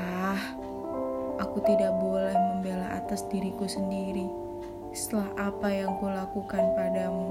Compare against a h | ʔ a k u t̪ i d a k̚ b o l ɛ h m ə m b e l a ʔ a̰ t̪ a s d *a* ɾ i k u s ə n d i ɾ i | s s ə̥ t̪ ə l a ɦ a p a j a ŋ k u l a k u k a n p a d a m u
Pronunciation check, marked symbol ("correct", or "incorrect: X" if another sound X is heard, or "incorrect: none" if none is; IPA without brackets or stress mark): incorrect: i